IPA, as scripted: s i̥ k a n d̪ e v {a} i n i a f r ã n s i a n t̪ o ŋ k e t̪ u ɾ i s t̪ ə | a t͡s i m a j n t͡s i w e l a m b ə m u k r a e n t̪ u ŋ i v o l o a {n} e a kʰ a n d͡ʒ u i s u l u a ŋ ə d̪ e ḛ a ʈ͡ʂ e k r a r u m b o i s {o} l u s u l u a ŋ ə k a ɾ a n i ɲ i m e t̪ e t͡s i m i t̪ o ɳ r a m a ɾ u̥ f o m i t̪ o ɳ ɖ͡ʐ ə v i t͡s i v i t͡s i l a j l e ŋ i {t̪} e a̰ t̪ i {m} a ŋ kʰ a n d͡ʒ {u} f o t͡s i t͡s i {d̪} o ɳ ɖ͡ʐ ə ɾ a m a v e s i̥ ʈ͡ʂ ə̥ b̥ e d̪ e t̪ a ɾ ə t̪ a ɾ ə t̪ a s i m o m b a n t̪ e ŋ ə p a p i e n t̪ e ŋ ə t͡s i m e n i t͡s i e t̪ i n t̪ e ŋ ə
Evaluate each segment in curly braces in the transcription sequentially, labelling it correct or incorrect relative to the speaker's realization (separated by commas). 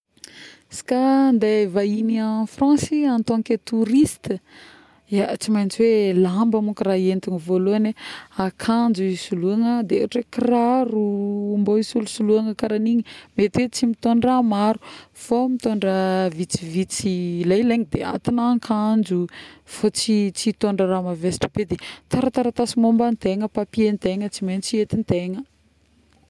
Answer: correct, correct, incorrect, incorrect, incorrect, correct, incorrect